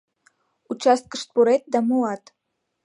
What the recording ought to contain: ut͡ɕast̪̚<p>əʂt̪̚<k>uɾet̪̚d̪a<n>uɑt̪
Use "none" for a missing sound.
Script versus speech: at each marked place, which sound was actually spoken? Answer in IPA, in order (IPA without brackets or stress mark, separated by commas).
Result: k, p, m